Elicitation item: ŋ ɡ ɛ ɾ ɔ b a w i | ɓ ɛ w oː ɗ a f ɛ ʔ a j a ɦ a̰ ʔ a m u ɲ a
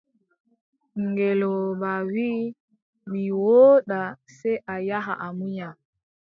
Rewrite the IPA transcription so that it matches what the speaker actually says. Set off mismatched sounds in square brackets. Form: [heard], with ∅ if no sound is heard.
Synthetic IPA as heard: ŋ ɡ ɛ [l] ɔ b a w i | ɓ [i] w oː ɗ a [s] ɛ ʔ a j a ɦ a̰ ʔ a m u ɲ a

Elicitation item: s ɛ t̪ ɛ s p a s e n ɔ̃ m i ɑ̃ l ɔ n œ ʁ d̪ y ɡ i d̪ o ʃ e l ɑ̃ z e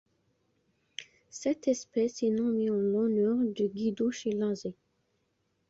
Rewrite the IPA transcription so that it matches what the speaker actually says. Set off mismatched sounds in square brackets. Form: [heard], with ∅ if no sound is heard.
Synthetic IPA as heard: s ɛ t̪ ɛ s p [ɛ] s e n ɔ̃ m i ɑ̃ l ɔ n œ ʁ d̪ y ɡ i d̪ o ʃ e l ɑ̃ z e

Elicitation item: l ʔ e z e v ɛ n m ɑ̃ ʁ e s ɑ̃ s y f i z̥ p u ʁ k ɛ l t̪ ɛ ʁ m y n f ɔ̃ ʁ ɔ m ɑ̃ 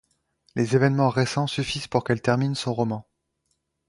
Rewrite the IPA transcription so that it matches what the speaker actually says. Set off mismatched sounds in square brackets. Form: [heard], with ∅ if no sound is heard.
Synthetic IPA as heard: l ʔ e z e v ɛ n m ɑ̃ ʁ e s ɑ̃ s y f i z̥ p u ʁ k ɛ l t̪ ɛ ʁ m [i] n [s] ɔ̃ ʁ ɔ m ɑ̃

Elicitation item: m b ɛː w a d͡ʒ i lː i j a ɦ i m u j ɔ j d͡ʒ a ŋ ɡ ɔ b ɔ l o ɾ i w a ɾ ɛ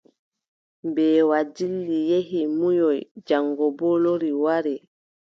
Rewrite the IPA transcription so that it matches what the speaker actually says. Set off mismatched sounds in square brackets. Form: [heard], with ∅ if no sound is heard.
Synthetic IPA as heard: m b ɛː w a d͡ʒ i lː i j [e] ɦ i m u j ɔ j d͡ʒ a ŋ ɡ ɔ b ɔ l o ɾ i w a ɾ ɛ

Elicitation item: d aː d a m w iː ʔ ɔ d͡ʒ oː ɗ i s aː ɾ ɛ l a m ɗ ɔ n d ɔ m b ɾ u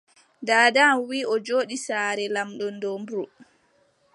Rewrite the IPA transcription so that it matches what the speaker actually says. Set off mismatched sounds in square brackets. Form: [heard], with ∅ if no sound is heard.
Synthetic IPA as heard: d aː d a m w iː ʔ ɔ d͡ʒ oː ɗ i s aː ɾ ɛ l a m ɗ ɔ n d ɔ m b ɾ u

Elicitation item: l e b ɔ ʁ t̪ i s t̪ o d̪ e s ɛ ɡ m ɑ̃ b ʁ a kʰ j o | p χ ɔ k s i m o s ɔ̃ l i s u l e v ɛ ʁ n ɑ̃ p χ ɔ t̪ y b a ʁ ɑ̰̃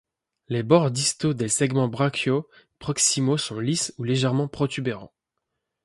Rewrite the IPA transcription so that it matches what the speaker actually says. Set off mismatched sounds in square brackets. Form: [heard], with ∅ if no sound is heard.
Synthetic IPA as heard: l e b ɔ ʁ [d̪] i s t̪ o d̪ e s ɛ ɡ m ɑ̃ b ʁ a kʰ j o | p χ ɔ k s i m o s ɔ̃ l i s u l e [ʒ] ɛ ʁ [m] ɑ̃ p χ ɔ t̪ y b [e] ʁ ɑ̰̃

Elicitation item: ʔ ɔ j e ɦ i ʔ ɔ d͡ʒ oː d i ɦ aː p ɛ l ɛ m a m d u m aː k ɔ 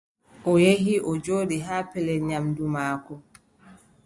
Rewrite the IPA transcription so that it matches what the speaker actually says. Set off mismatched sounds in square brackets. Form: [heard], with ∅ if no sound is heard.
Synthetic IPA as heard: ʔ ɔ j e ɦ i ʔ ɔ d͡ʒ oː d i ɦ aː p ɛ l ɛ [ɲ] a m d u m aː k ɔ

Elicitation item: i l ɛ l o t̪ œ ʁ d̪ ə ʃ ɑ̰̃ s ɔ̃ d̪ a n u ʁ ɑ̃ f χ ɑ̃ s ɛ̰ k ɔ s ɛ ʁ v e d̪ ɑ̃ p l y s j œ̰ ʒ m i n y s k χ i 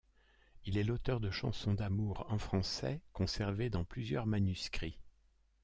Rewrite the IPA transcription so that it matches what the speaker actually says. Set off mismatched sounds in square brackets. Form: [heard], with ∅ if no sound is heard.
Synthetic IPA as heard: i l ɛ l o t̪ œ ʁ d̪ ə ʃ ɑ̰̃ s ɔ̃ d̪ a [m] u ʁ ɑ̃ f χ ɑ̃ s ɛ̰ k [ɔ̃] s ɛ ʁ v e d̪ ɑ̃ p l y [z] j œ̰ [ʁ] m [a] n y s k χ i

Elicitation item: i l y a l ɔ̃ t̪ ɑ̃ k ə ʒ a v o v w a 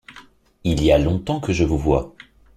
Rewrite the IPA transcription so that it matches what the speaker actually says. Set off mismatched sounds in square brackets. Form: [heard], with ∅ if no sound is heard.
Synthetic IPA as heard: i l [i] a l ɔ̃ t̪ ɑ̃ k ə ʒ [ə] v [u] v w a

